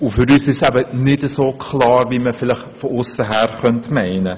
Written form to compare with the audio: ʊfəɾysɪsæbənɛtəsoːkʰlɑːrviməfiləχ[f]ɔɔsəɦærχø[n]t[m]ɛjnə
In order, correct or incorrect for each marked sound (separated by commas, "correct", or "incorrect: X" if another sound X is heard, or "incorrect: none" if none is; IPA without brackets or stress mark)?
correct, correct, correct